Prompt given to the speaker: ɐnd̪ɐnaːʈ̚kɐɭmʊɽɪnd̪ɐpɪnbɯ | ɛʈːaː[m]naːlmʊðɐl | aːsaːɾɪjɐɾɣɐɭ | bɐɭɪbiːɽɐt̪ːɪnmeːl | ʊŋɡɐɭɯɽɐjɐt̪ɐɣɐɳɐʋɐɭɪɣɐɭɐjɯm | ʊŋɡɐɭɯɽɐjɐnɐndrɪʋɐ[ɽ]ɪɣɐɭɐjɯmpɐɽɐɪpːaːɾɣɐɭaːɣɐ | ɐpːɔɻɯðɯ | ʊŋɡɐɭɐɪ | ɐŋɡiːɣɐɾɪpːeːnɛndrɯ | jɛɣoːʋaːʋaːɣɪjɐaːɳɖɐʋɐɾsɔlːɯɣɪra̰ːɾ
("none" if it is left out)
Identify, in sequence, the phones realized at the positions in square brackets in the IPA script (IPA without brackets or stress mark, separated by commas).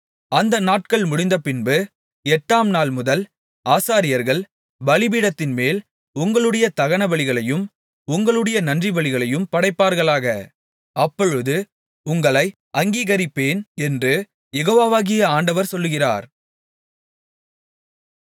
m, ɭ